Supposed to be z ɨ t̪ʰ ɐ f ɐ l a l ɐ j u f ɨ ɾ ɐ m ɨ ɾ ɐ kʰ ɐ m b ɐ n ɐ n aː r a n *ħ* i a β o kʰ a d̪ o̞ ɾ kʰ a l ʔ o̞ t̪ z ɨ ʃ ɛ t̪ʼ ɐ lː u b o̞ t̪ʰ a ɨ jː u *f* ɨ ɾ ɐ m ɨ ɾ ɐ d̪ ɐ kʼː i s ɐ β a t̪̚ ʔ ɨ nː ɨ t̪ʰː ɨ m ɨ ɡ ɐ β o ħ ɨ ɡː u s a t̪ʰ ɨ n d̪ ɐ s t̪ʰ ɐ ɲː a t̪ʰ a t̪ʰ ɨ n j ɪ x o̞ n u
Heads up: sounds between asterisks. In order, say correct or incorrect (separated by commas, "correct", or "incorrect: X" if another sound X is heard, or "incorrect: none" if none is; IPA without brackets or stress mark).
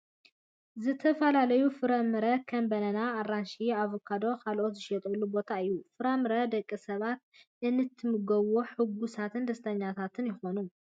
incorrect: ʃ, correct